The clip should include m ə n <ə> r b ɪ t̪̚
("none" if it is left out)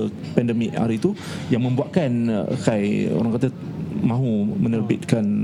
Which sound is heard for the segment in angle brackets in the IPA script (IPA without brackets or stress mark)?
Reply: ə